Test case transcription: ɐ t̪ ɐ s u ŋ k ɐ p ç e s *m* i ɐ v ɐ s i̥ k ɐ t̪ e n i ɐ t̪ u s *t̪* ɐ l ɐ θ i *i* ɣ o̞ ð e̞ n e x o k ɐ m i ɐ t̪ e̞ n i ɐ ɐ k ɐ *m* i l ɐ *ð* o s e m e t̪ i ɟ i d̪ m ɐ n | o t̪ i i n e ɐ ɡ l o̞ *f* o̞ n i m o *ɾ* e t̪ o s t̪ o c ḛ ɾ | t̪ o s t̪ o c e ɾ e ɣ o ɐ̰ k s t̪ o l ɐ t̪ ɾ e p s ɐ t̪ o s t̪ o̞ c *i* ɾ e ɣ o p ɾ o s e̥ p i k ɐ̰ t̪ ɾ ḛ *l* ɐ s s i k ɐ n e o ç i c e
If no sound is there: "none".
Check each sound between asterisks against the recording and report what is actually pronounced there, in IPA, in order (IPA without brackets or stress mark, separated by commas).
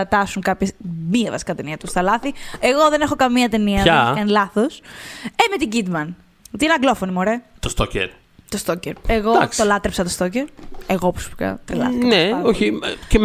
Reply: m, t̪, e, n, θ, f, ɾ, e, l